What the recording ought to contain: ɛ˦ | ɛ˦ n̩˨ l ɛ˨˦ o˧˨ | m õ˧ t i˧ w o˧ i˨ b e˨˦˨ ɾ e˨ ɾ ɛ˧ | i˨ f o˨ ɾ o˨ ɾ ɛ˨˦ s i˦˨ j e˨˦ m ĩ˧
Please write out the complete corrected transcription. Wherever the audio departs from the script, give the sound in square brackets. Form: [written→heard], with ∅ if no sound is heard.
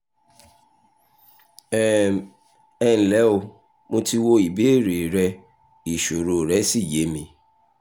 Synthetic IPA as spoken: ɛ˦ | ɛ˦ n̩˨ l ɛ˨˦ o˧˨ | m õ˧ t i˧ w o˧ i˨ b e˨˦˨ ɾ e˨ ɾ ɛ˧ | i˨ [f→ʃ] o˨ ɾ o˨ ɾ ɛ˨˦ s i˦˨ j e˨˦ m ĩ˧